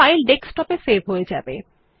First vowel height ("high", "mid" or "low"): low